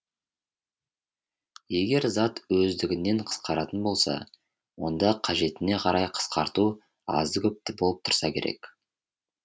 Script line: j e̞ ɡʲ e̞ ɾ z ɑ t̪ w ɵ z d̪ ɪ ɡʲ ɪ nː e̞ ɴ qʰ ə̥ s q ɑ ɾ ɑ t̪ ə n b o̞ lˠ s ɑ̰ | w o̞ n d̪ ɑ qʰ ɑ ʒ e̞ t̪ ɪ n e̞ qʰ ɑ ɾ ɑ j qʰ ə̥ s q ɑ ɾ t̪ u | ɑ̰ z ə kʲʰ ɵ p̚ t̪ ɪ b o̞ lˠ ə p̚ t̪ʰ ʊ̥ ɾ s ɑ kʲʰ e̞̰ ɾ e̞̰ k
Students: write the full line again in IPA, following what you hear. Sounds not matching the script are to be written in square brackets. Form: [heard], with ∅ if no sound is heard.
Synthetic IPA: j e̞ ɡʲ e̞ ɾ z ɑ t̪ w ɵ z d̪ ɪ ɡʲ ɪ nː e̞ ɴ qʰ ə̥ s q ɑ ɾ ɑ t̪ ə n b o̞ lˠ s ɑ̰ | w o̞ n d̪ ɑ qʰ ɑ ʒ e̞ t̪ ɪ n e̞ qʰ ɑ ɾ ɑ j qʰ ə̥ s q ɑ ɾ t̪ u | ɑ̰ z ə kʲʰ ɵ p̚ t̪ ɪ b o̞ lˠ ə p̚ t̪ʰ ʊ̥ ɾ s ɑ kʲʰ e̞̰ ɾ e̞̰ k